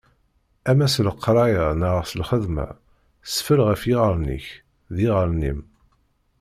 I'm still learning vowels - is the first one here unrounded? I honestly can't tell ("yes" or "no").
yes